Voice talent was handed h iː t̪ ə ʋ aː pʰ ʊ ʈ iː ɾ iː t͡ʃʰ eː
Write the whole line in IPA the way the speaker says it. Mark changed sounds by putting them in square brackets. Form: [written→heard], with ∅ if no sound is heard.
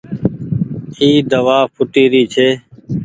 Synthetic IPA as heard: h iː [t̪→d̪] ə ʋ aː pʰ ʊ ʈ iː ɾ iː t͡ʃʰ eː